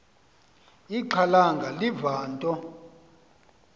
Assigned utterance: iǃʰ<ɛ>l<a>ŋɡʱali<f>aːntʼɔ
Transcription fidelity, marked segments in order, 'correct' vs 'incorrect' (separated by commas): incorrect, correct, incorrect